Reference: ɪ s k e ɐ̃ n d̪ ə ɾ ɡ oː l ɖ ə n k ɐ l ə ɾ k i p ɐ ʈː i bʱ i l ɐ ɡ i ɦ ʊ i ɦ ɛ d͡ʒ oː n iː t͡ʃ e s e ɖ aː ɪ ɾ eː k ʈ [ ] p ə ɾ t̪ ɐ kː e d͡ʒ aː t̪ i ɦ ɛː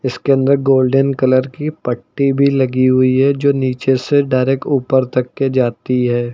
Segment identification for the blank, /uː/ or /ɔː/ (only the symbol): uː